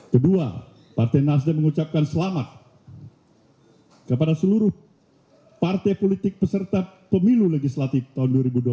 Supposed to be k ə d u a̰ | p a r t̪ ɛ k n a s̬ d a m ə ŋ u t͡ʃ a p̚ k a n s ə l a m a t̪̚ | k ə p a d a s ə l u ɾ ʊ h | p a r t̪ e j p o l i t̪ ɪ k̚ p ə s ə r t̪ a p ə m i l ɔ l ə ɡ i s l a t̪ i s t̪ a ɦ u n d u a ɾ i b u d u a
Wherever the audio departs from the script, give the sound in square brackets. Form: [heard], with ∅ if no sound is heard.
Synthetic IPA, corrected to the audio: k ə d u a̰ | p a r t̪ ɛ [∅] n a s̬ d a m ə ŋ u t͡ʃ a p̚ k a n s ə l a m a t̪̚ | k ə p a d a s ə l u ɾ ʊ h | p a r t̪ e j p o l i t̪ ɪ k̚ p ə s ə r t̪ a p ə m i l [u] l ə ɡ i s l a t̪ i [f] t̪ a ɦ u n d u a ɾ i b u d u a